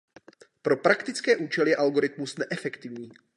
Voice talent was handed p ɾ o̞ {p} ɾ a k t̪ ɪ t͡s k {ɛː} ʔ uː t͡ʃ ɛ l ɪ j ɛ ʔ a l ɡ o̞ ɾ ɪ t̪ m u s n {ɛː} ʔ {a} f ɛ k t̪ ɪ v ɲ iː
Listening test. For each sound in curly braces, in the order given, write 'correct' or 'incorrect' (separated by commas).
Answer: correct, correct, incorrect, incorrect